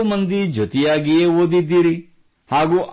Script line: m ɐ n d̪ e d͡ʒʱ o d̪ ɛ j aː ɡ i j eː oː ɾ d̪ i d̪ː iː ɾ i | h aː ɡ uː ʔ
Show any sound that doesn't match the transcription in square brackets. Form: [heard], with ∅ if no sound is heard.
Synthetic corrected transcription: m ɐ n d̪ [i] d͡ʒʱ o [t̪] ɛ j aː ɡ i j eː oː [∅] d̪ i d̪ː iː ɾ i | h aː ɡ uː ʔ